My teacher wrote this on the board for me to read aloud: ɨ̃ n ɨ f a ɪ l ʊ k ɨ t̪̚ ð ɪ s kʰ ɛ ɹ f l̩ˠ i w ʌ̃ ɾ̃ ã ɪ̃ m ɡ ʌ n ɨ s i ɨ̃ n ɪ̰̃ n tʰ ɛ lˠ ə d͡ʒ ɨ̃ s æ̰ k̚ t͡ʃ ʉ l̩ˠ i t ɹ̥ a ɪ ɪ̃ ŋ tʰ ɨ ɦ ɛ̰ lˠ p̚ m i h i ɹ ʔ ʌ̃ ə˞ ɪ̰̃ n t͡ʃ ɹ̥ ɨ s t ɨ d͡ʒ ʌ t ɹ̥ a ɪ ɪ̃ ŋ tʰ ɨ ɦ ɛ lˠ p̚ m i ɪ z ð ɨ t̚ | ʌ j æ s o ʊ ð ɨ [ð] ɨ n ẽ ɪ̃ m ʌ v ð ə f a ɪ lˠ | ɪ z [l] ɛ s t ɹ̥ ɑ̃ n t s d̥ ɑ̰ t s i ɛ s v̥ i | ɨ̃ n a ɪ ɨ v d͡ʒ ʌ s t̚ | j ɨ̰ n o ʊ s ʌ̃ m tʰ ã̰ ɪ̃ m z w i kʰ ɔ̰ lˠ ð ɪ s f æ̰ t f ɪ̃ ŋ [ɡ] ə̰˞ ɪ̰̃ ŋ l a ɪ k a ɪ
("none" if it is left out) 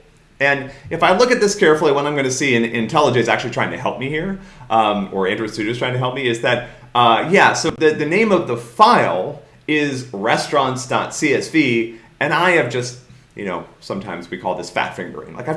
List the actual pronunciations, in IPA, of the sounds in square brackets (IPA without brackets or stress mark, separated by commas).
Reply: ð, ɹ, ɡ